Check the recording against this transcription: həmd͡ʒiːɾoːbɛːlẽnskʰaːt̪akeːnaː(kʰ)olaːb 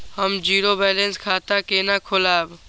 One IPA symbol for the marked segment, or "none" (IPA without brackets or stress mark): kʰ